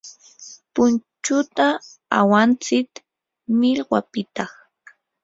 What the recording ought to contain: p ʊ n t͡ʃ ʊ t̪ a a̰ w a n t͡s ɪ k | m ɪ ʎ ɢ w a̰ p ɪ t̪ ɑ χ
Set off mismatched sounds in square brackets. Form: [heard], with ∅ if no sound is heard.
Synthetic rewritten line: p ʊ n t͡ʃ ʊ t̪ a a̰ w a n t͡s ɪ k | m ɪ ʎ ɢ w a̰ p ɪ t̪ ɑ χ